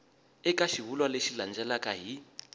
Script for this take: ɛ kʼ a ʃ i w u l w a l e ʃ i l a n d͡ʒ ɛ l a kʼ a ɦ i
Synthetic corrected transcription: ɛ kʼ a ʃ i β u l w a l e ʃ i l a n d͡ʒ ɛ l a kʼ a ɦ i